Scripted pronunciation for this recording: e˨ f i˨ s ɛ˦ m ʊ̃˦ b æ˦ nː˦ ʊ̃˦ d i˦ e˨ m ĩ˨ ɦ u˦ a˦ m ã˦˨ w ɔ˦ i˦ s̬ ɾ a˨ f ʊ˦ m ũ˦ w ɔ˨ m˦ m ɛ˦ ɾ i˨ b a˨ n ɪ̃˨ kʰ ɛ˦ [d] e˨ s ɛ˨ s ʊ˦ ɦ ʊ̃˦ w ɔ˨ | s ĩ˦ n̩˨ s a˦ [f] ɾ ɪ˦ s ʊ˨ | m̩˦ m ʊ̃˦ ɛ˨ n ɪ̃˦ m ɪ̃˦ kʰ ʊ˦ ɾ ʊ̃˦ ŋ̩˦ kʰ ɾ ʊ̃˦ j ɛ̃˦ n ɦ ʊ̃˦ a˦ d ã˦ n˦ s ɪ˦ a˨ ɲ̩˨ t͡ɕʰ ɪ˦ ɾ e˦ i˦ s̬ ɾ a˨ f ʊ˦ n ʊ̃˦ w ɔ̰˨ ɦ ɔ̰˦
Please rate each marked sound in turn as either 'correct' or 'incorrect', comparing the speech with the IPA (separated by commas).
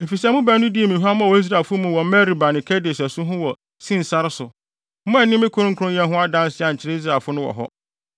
correct, incorrect